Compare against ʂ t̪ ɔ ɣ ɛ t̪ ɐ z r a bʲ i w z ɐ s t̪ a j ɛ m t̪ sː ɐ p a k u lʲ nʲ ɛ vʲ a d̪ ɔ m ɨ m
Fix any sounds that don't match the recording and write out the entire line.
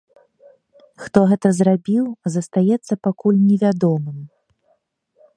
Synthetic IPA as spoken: x t̪ ɔ ɣ ɛ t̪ ɐ z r a bʲ i w z ɐ s t̪ a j ɛ t̪ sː ɐ p a k u lʲ nʲ ɛ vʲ a d̪ ɔ m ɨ m